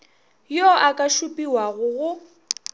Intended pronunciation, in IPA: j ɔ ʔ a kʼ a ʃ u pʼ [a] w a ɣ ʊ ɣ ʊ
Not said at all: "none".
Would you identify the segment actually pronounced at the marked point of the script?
i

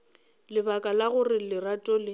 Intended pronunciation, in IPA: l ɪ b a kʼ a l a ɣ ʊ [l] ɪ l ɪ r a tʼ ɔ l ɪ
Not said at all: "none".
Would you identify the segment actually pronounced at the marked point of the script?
r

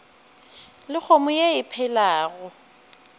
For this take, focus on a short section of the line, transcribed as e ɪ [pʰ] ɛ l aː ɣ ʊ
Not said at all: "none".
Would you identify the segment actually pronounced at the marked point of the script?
pʰ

